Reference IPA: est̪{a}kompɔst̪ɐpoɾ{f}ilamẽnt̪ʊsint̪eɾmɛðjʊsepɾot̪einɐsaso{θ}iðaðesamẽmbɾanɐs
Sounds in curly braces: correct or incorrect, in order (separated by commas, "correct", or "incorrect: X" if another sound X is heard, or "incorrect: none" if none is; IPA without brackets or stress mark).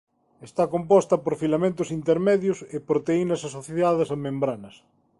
correct, correct, correct